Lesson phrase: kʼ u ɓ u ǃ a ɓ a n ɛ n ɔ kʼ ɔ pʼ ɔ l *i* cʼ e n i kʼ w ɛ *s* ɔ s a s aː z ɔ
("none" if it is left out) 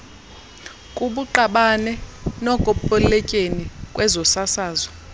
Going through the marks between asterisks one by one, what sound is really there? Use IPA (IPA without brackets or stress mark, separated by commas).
ɛ, z